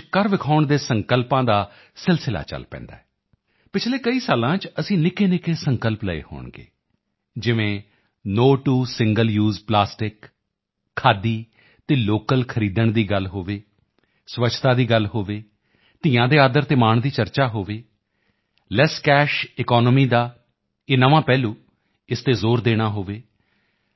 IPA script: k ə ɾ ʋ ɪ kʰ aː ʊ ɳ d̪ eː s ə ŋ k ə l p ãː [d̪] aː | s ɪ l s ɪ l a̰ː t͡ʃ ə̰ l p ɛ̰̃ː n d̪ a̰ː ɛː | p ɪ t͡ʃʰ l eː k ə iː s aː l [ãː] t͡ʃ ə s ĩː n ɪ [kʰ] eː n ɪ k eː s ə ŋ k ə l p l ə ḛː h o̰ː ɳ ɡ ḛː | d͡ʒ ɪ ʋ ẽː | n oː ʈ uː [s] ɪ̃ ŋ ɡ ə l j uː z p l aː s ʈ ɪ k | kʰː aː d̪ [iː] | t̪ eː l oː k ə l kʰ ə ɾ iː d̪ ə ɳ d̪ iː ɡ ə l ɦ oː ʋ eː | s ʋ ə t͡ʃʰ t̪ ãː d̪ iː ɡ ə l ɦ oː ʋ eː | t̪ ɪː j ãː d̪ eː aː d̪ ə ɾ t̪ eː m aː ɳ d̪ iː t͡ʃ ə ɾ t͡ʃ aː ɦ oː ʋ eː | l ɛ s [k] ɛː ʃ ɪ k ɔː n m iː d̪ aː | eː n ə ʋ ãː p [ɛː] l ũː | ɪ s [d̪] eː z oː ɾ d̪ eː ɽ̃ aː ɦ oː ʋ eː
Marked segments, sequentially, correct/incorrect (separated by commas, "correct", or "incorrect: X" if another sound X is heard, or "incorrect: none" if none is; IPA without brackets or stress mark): correct, correct, incorrect: k, correct, correct, correct, correct, incorrect: t̪